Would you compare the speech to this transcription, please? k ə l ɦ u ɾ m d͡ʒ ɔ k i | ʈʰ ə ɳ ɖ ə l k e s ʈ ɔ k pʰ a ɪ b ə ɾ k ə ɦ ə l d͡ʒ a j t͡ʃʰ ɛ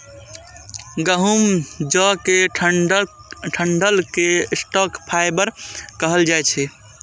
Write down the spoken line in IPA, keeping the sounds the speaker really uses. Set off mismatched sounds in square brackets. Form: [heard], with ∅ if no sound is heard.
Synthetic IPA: [ɡ] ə [∅] ɦ u [∅] m d͡ʒ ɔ k [e] | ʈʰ ə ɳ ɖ ə l k e s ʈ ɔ k pʰ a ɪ b ə ɾ k ə ɦ ə l d͡ʒ a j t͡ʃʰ ɛ